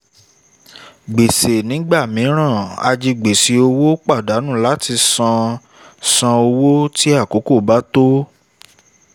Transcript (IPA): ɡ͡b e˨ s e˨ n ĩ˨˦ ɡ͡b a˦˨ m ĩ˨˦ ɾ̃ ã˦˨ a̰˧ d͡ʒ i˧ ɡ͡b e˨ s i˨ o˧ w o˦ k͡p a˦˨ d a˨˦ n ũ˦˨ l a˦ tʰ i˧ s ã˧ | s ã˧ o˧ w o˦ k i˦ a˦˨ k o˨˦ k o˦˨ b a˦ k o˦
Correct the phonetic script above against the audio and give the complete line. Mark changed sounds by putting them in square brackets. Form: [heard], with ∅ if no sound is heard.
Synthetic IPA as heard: ɡ͡b e˨ s e˨ n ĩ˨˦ ɡ͡b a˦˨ m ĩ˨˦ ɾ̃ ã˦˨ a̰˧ d͡ʒ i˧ ɡ͡b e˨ s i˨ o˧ w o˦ k͡p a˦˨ d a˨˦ n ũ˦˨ l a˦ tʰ i˧ s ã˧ | s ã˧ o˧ w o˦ [t] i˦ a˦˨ k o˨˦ k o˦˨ b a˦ [t] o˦